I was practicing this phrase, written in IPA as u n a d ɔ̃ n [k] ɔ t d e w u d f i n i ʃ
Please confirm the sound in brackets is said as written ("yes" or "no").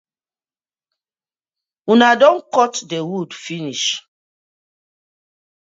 yes